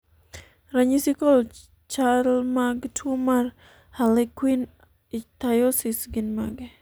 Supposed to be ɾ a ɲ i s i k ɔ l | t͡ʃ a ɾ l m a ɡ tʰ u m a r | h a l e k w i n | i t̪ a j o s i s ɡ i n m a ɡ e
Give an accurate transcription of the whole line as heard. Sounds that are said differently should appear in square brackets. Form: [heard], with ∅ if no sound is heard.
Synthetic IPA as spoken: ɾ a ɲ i s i k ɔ l | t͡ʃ a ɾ l m a ɡ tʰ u m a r | h a l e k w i n | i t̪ a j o s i s ɡ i n m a ɡ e